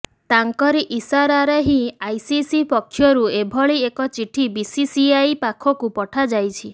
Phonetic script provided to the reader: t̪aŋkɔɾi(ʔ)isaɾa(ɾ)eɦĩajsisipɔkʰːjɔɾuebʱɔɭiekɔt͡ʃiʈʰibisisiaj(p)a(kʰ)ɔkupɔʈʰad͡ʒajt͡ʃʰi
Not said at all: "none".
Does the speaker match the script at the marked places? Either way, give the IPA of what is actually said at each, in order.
ʔ, ɾ, p, kʰ

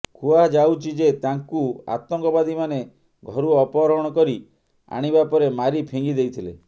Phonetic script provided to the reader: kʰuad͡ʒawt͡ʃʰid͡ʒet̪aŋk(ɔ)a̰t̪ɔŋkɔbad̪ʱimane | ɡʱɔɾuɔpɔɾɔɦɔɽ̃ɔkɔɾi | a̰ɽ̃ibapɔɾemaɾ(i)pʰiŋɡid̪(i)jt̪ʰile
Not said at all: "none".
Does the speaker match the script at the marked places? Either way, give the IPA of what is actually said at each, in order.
u, i, e

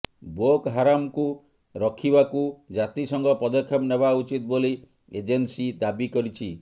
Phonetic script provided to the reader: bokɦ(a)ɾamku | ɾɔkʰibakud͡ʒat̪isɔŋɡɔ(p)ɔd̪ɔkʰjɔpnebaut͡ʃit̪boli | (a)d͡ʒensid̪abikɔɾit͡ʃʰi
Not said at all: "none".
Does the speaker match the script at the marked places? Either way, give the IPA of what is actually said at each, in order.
a, p, e

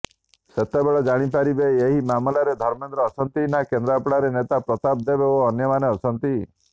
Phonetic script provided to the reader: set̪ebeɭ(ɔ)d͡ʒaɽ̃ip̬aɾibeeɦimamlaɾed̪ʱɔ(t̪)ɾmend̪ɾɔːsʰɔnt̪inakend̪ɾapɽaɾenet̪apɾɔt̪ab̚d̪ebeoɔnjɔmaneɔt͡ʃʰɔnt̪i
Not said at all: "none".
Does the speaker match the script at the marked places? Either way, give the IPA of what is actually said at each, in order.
ɔ, none

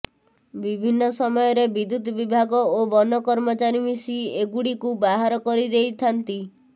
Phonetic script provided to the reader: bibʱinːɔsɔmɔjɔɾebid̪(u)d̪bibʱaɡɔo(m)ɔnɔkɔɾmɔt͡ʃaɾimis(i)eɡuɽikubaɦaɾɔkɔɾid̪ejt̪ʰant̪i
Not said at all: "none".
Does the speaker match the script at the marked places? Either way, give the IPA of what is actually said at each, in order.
u, b, i

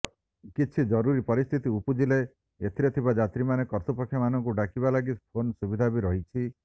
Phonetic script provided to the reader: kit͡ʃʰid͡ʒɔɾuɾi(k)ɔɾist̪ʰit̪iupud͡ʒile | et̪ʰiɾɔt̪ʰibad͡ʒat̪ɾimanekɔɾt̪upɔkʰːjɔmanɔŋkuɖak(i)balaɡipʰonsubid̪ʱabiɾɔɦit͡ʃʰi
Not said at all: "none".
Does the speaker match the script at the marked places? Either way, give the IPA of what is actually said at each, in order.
p, i

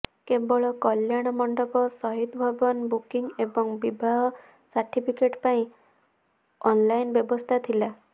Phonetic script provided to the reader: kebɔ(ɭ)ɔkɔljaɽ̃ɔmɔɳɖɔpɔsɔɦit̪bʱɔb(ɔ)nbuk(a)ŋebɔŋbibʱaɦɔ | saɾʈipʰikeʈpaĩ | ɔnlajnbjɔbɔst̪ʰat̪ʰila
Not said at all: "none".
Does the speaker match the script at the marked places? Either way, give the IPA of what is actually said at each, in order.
ɭ, ɔ, i

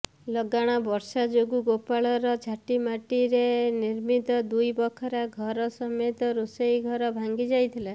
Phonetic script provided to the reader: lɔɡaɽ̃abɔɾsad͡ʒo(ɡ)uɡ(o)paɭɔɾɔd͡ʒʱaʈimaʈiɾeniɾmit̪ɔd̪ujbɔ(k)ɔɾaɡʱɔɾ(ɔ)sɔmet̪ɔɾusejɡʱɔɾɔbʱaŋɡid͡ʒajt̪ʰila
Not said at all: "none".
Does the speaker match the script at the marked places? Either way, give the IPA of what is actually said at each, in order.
ɡ, o, kʰ, ɔ

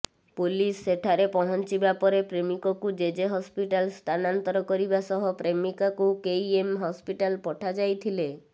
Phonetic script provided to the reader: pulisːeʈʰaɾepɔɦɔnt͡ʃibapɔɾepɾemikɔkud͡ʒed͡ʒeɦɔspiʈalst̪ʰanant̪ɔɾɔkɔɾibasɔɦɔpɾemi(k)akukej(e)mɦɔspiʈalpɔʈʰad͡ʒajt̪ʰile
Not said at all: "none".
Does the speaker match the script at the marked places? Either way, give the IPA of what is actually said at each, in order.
k, e

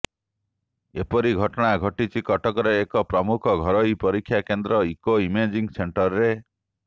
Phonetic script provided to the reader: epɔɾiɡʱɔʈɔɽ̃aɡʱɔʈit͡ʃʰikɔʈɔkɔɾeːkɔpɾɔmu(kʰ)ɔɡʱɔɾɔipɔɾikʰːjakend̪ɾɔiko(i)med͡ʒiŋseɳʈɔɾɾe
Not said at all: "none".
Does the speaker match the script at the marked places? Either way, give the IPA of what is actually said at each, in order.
kʰ, i

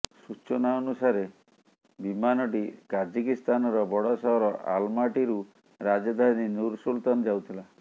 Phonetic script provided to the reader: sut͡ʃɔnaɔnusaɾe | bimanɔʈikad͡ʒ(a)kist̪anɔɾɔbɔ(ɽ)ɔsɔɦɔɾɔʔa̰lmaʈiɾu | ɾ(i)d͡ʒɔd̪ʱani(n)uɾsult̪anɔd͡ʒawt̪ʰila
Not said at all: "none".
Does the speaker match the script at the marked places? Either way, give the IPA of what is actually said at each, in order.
i, ɽ, a, n

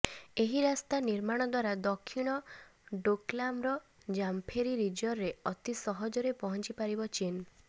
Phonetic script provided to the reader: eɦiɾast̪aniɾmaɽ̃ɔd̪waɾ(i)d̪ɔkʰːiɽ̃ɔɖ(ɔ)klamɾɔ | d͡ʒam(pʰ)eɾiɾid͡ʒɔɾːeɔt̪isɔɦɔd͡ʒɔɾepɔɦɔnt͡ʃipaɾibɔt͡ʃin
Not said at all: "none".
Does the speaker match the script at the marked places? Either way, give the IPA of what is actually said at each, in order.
a, o, pʰ

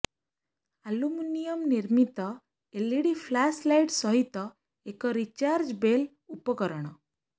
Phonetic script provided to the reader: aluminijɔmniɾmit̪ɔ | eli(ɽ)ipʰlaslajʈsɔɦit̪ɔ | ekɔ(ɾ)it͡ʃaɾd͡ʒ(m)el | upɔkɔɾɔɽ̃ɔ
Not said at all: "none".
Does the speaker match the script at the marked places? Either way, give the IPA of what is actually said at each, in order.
ɽ, ɾ, b

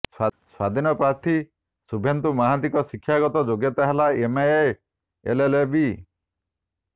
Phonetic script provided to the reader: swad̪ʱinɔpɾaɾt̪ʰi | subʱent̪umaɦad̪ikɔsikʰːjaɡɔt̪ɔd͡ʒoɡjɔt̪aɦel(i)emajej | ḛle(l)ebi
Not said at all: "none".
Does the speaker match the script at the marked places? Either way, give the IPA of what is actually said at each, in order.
a, l

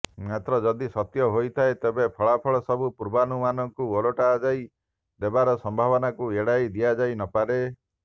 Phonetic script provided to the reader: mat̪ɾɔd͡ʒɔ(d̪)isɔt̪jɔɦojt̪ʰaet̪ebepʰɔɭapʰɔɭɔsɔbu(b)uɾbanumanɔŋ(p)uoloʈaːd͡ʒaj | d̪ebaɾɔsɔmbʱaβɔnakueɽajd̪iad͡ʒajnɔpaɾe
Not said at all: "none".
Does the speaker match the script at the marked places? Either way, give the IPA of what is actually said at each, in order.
d̪, p, k

